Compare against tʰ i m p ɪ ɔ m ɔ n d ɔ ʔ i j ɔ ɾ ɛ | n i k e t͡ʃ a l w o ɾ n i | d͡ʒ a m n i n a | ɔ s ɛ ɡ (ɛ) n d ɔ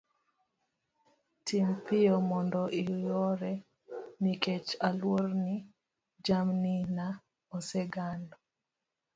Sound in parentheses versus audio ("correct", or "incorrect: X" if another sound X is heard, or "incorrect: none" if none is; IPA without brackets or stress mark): incorrect: a